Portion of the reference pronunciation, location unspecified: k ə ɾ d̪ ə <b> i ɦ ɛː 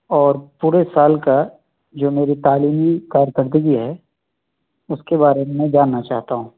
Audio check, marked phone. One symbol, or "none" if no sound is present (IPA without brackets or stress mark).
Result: ɡ